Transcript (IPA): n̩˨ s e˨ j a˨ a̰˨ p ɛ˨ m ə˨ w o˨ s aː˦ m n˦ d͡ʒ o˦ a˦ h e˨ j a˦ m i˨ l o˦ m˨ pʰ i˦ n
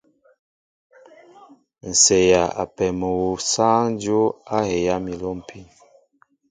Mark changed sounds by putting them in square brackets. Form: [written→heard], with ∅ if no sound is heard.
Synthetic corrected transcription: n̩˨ s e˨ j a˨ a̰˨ p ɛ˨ m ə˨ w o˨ s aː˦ [m→ŋ] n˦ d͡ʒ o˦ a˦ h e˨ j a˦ m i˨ l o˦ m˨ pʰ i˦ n